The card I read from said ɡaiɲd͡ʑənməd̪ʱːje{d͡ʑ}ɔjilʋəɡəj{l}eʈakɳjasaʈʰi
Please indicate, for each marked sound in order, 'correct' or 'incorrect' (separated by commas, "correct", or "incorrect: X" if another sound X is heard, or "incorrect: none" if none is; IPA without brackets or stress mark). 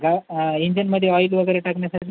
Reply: incorrect: none, incorrect: ɾ